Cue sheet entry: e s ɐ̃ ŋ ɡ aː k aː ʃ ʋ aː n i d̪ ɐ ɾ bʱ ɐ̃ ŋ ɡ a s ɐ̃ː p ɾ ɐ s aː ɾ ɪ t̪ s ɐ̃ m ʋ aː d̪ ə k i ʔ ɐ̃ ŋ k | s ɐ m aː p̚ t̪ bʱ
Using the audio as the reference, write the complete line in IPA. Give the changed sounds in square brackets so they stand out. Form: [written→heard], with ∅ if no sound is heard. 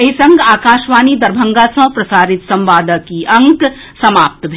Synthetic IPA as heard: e s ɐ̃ ŋ ɡ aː k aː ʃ ʋ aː n i d̪ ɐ ɾ bʱ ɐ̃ ŋ ɡ a s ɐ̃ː p ɾ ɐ s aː ɾ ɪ t̪ s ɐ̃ m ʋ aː d̪ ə k i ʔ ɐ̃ ŋ k | s ɐ m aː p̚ t̪ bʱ